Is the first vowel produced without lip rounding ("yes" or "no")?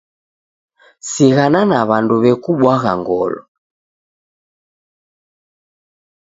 yes